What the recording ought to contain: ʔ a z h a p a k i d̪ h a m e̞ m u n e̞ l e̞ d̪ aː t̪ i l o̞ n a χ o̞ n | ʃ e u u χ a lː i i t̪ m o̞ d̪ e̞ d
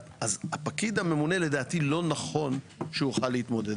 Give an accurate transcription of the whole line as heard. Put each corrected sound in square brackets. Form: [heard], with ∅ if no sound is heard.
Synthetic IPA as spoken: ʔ a z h a p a k i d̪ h a m e̞ m u n e̞ l e̞ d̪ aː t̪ i l o̞ n a χ o̞ n | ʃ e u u χ a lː [e] i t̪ m o̞ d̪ e̞ d

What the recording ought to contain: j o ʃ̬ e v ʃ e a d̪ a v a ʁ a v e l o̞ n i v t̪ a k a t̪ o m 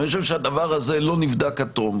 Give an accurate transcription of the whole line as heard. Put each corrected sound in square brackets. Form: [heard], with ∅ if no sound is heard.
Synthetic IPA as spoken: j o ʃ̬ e v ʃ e a d̪ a v a ʁ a [z] e l o̞ n i v [d̪] a k a t̪ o m

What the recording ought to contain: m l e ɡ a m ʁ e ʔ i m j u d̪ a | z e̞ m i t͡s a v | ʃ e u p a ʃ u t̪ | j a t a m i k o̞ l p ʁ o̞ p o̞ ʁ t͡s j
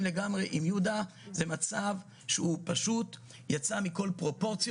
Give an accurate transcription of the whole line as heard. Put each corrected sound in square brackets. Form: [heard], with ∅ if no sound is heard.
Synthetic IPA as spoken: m l e ɡ a m ʁ e ʔ i m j u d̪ a | z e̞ m [a] t͡s a v | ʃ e u p a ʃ u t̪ | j a [t͡s] a m i k o̞ l p ʁ o̞ p o̞ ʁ t͡s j

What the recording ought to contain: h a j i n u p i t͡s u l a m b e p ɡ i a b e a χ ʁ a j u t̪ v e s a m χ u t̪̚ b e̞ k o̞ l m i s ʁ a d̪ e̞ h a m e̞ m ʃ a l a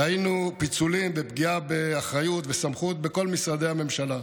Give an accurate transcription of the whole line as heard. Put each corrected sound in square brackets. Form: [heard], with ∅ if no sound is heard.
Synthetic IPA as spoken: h a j i n u p i t͡s u l [i] m b e p ɡ i a b e a χ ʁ a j u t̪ v e s a m χ u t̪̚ b e̞ k o̞ l m i s ʁ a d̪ e̞ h a m e̞ m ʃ a l a

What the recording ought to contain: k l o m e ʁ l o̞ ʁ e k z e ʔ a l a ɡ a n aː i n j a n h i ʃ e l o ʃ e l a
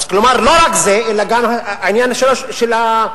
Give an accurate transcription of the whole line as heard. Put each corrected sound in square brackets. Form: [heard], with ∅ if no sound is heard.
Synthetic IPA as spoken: k l o m [a] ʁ l o̞ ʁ [a] k z e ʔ [e] l a ɡ a [m] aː i n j a n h [a] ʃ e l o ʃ e l a

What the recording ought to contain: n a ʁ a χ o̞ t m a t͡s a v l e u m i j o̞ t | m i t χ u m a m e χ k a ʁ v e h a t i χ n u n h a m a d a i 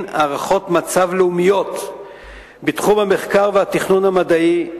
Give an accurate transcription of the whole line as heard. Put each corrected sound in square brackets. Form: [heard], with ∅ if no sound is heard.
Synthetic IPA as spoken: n a ʁ a χ o̞ t m a t͡s a v l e u m i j o̞ t | [b] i t χ u m a m e χ k a ʁ v e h a t i χ n u n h a m a d a i

